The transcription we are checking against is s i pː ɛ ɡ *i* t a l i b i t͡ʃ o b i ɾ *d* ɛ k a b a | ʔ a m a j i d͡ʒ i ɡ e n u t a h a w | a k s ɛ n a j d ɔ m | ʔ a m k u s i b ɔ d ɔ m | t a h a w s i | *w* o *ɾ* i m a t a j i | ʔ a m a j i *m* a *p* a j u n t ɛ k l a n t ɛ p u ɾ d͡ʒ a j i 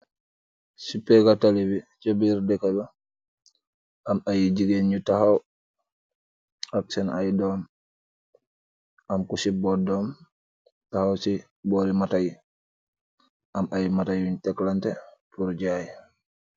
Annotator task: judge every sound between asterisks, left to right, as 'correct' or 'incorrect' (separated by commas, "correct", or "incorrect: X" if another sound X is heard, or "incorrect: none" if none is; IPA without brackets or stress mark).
incorrect: a, correct, incorrect: b, correct, correct, incorrect: t